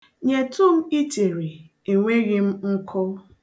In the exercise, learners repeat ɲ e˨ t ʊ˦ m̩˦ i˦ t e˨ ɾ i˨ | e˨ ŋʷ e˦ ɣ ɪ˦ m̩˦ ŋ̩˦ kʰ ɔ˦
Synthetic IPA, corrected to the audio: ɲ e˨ t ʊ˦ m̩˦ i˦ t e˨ ɾ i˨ | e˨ ŋʷ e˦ ɣ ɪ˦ m̩˦ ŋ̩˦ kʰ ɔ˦